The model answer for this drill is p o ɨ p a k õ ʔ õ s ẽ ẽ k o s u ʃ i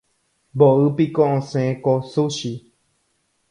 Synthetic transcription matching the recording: b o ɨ p i k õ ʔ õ s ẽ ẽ k o s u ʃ i